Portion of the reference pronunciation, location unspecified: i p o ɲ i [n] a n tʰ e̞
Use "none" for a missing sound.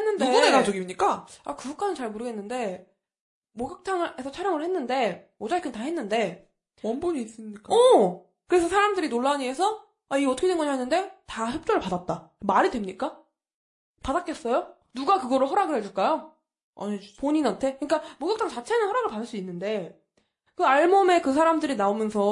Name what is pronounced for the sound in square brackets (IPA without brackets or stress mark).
n